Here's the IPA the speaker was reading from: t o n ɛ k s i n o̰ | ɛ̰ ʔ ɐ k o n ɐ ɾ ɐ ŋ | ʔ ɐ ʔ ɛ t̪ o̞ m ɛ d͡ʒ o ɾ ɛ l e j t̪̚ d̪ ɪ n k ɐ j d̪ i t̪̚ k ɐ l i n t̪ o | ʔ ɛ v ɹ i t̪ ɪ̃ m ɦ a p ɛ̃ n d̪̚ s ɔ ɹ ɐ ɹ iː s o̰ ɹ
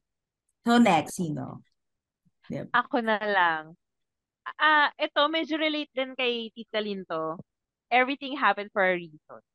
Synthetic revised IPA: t o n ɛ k s i n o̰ | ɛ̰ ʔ ɐ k o n ɐ l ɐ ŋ | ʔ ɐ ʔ ɛ t̪ o̞ m ɛ d͡ʒ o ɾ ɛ l e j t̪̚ d̪ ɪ n k ɐ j t̪ i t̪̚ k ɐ l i n t̪ o | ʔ ɛ v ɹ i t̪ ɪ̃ ŋ ɦ a p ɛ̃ n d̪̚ f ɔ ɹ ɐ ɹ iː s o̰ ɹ